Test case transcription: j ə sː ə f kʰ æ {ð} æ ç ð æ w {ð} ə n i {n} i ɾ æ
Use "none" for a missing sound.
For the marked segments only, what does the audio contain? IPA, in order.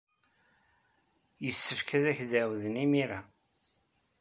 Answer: ð, ð, m

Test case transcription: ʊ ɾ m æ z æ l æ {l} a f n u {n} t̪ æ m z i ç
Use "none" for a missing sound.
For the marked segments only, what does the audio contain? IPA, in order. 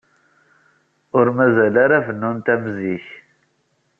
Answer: ɾ, n

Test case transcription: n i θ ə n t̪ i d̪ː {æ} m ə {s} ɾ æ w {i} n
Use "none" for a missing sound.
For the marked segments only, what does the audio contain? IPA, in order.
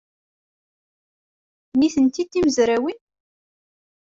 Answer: i, z, i

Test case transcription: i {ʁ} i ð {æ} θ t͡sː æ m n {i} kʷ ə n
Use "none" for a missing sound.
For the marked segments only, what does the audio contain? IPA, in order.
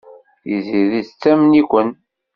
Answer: z, i, i

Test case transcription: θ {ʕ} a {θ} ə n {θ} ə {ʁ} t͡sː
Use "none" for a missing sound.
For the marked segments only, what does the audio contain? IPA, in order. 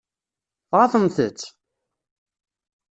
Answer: ʁ, θ, θ, none

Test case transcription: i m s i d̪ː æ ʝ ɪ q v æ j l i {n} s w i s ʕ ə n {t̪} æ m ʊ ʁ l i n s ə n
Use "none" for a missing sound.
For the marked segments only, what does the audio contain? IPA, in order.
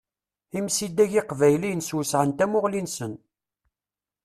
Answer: n, t̪

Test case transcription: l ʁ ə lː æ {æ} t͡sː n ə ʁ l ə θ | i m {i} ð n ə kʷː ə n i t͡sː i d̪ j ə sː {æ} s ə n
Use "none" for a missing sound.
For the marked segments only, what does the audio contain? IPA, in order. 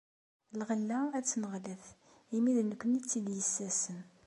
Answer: æ, i, æ

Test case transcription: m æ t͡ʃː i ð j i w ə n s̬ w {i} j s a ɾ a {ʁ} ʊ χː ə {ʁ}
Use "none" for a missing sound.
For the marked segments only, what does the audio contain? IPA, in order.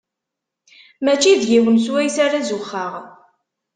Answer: æ, z, ʁ

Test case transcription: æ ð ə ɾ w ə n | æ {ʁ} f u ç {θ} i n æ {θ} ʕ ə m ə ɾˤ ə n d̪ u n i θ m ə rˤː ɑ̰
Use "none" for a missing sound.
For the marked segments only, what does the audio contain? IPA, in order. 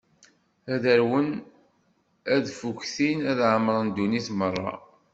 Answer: ð, θ, ð

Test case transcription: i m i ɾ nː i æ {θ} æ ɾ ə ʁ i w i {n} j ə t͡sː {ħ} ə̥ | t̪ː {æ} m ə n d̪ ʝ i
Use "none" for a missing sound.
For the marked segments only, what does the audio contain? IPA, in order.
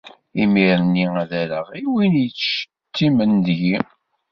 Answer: ð, n, ʃ, i

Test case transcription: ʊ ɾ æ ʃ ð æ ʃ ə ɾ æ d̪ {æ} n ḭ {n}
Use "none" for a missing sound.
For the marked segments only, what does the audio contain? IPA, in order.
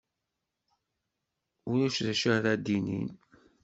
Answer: i, n

